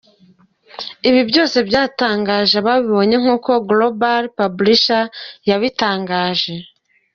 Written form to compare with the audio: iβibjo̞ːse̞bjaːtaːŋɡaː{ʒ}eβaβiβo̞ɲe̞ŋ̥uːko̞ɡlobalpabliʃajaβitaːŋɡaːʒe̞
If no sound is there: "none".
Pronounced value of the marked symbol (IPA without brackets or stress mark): ʒ